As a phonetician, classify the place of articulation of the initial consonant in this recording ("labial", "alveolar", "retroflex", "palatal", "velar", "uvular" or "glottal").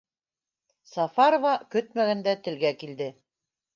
alveolar